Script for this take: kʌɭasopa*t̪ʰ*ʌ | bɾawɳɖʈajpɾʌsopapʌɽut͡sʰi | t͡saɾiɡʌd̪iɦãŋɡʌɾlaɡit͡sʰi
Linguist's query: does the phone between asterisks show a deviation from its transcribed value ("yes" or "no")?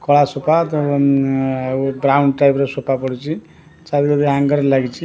yes